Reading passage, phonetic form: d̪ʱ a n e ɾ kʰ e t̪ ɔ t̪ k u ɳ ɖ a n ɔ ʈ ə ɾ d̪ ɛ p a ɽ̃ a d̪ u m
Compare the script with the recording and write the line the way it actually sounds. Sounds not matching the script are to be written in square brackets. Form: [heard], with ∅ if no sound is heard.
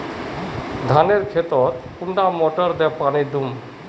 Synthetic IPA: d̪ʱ a n e ɾ kʰ e t̪ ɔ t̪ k u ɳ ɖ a [m] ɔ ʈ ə ɾ d̪ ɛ p a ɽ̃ [i] d̪ u m